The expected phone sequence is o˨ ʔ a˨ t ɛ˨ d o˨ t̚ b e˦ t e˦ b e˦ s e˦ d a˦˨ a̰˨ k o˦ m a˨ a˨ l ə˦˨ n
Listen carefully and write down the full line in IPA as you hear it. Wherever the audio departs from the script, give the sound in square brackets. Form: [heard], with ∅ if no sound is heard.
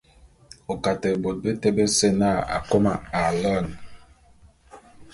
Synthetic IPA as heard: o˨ [k] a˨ t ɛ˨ [b] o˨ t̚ b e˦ t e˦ b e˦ s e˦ [n] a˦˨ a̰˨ k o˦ m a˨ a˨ l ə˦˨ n